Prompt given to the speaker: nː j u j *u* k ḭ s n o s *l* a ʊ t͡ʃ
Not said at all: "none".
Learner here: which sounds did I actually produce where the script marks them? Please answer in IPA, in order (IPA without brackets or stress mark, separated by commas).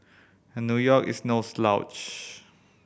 ɔ, l